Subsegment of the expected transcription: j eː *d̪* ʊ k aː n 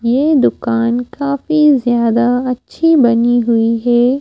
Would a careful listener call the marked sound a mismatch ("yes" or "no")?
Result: no